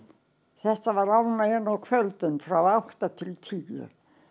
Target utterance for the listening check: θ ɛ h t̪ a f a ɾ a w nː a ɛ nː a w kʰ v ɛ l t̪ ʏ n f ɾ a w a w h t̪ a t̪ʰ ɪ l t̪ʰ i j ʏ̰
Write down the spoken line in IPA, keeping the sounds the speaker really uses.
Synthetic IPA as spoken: θ ɛ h t̪ a v a ɾ a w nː a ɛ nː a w kʰ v œ l t̪ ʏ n f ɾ a w a w h t̪ a t̪ʰ ɪ l t̪ʰ i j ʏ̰